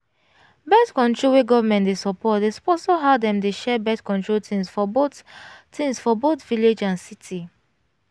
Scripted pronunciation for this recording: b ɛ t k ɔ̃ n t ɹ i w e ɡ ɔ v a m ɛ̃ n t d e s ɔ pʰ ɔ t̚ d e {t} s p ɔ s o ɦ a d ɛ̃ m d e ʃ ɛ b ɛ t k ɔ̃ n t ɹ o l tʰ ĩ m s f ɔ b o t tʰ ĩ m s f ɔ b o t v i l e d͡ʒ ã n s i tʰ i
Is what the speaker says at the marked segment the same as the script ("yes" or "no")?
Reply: no